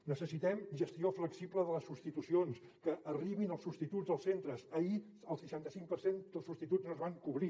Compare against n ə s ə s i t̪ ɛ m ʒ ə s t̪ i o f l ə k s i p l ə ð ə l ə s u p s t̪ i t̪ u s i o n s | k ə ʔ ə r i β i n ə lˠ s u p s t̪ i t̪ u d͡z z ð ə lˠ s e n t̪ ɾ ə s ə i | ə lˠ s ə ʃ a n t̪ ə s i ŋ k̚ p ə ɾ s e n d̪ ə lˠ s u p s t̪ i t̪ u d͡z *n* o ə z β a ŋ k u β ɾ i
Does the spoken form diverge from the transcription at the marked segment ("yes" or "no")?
no